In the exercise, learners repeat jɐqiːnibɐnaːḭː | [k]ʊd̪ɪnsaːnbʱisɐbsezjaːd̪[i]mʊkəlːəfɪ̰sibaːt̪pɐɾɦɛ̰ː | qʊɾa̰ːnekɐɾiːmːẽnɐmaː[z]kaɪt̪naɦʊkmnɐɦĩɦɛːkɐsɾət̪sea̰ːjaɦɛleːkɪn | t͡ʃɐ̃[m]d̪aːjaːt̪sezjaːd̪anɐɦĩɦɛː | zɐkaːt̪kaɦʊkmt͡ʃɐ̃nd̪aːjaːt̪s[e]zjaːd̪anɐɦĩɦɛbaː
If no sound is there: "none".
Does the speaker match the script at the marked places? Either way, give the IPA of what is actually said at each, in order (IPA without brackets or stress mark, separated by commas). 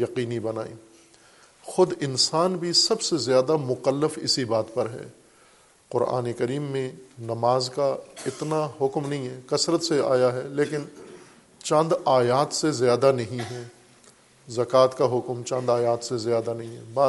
x, a, z, n, e